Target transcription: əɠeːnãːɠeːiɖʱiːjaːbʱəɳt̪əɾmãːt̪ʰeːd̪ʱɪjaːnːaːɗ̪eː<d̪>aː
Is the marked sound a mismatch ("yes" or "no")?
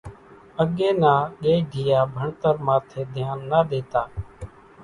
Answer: yes